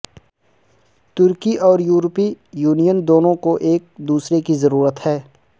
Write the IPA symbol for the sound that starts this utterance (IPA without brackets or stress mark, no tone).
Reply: t̪